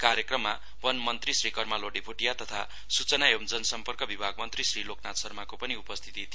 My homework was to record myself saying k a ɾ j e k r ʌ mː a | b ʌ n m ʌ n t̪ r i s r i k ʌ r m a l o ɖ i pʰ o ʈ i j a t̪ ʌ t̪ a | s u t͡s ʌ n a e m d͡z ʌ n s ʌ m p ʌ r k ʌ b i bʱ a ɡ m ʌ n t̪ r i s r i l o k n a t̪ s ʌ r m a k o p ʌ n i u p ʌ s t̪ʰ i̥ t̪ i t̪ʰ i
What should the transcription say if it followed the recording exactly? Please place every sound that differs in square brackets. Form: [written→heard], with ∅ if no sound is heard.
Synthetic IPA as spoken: k a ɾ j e k r ʌ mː a | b ʌ n m ʌ n t̪ r i s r i k ʌ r m a l o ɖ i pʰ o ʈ i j a t̪ ʌ [t̪→t̪ʰ] a | s u t͡s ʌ n a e m d͡z ʌ n s ʌ m p ʌ r k ʌ b i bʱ a ɡ m ʌ n t̪ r i s r i l o k n a t̪ s ʌ r m a k o p ʌ n i u p ʌ s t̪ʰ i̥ t̪ i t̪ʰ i